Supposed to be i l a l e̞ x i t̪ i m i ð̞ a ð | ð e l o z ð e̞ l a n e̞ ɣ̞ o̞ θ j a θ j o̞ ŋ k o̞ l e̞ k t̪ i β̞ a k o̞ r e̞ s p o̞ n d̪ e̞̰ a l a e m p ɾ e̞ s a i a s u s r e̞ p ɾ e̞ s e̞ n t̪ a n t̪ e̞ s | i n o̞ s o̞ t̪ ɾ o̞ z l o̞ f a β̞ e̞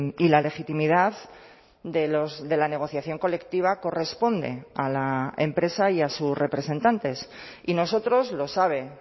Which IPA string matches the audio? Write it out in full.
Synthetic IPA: i l a l e̞ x i t̪ i m i ð̞ a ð | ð e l o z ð e̞ l a n e̞ ɣ̞ o̞ θ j a θ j o̞ ŋ k o̞ l e̞ k t̪ i β̞ a k o̞ r e̞ s p o̞ n d̪ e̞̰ a l a e m p ɾ e̞ s a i a s u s r e̞ p ɾ e̞ s e̞ n t̪ a n t̪ e̞ s | i n o̞ s o̞ t̪ ɾ o̞ z l o̞ s a β̞ e̞